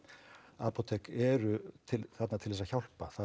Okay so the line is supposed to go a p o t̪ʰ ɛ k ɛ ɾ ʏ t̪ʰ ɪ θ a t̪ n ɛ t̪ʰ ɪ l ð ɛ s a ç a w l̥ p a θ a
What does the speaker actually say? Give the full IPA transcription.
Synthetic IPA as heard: a p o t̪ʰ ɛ k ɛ ɾ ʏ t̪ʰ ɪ θ a t̪ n a t̪ʰ ɪ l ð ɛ s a ç a w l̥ p a θ a